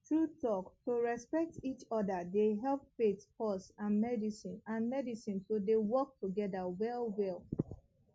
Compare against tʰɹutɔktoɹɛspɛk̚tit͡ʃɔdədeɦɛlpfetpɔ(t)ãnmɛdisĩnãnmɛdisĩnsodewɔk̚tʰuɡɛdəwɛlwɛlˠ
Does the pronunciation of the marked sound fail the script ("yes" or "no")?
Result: yes